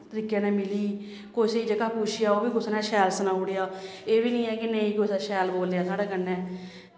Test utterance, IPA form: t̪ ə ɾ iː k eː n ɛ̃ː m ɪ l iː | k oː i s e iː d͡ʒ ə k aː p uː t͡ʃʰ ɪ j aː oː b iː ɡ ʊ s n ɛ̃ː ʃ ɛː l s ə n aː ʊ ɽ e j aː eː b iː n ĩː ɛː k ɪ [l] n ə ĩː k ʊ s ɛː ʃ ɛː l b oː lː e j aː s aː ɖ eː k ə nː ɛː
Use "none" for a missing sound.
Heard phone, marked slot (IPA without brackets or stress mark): none